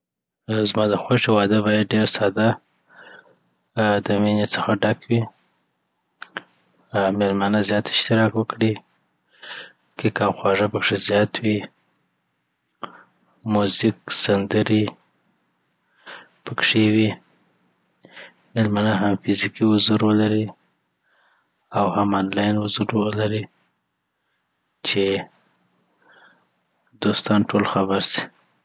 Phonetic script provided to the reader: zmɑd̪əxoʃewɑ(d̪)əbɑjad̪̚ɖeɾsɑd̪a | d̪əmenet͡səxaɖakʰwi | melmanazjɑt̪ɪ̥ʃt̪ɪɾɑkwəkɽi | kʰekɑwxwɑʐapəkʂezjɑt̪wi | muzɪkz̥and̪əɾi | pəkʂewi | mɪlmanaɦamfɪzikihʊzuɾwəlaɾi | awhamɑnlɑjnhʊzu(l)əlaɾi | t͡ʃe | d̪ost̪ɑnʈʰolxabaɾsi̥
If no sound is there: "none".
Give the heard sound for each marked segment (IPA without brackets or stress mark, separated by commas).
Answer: d̪, ɾ